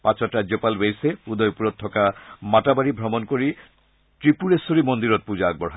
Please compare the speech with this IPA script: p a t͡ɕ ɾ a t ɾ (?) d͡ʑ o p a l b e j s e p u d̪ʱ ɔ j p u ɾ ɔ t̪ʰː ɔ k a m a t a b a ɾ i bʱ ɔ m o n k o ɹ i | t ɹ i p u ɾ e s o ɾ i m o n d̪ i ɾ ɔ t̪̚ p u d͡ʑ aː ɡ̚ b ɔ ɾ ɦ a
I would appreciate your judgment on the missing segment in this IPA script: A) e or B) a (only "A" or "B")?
B